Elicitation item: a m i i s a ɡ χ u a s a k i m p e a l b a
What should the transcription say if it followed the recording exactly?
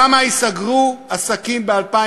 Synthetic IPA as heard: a m a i s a ɡ ʁ u a s a k i m b e a l p a